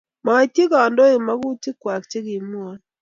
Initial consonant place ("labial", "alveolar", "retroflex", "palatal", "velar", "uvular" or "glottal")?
labial